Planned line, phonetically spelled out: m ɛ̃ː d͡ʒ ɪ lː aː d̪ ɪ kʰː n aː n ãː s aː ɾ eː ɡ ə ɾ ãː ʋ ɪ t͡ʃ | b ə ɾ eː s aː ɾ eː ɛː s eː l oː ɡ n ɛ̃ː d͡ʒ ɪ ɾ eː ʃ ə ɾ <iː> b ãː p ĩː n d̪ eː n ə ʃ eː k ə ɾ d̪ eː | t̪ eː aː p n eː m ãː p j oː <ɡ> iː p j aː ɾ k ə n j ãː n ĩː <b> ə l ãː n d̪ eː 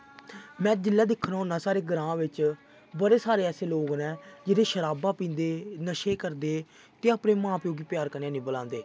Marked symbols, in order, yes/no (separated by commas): no, yes, yes